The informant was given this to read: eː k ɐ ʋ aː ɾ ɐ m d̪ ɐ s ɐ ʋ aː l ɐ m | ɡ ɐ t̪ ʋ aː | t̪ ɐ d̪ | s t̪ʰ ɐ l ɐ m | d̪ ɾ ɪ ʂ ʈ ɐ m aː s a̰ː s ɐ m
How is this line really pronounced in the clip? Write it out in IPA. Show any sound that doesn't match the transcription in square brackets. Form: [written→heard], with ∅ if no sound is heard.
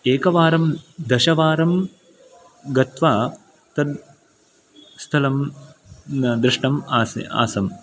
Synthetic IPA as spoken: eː k ɐ ʋ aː ɾ ɐ m d̪ ɐ [s→ʃ] ɐ ʋ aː [l→ɾ] ɐ m | ɡ ɐ t̪ ʋ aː | t̪ ɐ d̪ | s t̪ʰ ɐ l ɐ m | d̪ ɾ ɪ ʂ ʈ ɐ m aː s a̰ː s ɐ m

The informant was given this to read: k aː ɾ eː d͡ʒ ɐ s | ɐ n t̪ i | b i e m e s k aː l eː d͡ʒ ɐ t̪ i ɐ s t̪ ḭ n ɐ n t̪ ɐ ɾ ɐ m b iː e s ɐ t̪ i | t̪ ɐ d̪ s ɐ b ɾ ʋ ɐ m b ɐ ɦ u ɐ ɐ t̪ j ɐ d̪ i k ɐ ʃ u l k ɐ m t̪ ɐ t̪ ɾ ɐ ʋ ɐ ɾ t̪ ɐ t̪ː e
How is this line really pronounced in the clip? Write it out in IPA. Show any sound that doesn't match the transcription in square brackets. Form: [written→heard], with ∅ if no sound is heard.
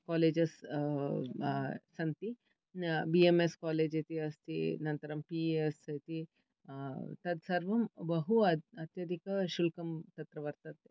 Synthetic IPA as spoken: k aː [ɾ→l] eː d͡ʒ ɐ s | ɐ n t̪ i | b i e m e s k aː l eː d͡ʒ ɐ t̪ i ɐ s t̪ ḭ n ɐ n t̪ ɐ ɾ ɐ m [b→p] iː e s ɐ t̪ i | t̪ ɐ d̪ s ɐ [b→∅] ɾ ʋ ɐ m b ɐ ɦ u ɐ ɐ t̪ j ɐ d̪ i k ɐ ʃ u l k ɐ m t̪ ɐ t̪ ɾ ɐ ʋ ɐ ɾ t̪ ɐ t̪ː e

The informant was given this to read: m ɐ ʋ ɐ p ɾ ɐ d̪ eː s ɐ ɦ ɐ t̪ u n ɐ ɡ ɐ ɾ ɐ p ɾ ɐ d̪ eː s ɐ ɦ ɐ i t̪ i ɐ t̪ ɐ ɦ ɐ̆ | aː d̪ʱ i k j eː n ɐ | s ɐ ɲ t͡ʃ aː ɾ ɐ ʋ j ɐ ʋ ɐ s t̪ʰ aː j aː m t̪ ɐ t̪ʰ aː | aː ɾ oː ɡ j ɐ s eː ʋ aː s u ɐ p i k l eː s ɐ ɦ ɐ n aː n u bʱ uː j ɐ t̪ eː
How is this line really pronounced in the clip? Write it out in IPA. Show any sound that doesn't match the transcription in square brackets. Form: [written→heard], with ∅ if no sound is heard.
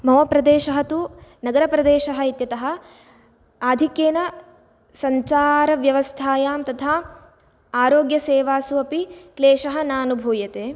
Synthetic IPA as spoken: m ɐ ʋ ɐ p ɾ ɐ d̪ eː [s→ʃ] ɐ ɦ ɐ t̪ u n ɐ ɡ ɐ ɾ ɐ p ɾ ɐ d̪ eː [s→ʃ] ɐ ɦ ɐ i t̪ [i→j] ɐ t̪ ɐ ɦ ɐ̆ | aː d̪ʱ i k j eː n ɐ | s ɐ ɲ t͡ʃ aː ɾ ɐ ʋ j ɐ ʋ ɐ s t̪ʰ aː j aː m t̪ ɐ t̪ʰ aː | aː ɾ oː ɡ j ɐ s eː ʋ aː s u ɐ p i k l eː [s→ʃ] ɐ ɦ ɐ n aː n u bʱ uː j ɐ t̪ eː

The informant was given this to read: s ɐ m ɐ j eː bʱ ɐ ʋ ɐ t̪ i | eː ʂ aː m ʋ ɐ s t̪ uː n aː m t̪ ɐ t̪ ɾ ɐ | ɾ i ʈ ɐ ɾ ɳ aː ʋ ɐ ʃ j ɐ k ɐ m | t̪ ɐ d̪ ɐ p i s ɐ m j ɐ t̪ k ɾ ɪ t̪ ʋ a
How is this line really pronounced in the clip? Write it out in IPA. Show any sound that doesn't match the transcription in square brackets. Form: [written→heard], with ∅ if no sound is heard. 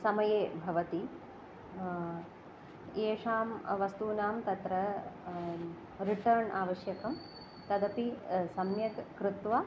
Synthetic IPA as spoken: s ɐ m ɐ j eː bʱ ɐ ʋ ɐ t̪ i | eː ʂ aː m ʋ ɐ s t̪ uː n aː m t̪ ɐ t̪ ɾ ɐ | ɾ i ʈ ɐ ɾ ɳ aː ʋ ɐ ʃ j ɐ k ɐ m | t̪ ɐ d̪ ɐ p i s ɐ m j ɐ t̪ k ɾ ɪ t̪ ʋ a

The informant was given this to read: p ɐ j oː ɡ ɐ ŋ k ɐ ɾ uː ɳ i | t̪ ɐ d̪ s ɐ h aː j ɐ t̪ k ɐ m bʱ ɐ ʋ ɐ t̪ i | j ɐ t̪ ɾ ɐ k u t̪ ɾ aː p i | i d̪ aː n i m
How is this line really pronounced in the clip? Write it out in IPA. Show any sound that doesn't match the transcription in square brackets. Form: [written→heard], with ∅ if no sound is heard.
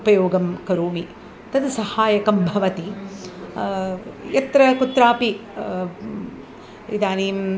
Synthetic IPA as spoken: p ɐ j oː ɡ ɐ [ŋ→m] k ɐ ɾ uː [ɳ→m] i | t̪ ɐ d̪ s ɐ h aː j ɐ [t̪→∅] k ɐ m bʱ ɐ ʋ ɐ t̪ i | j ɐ t̪ ɾ ɐ k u t̪ ɾ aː p i | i d̪ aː n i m

